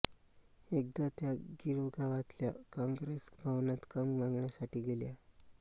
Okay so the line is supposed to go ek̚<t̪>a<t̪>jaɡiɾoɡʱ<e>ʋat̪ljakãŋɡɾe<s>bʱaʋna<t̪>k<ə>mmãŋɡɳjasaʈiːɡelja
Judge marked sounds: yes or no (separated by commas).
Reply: no, yes, no, yes, yes, yes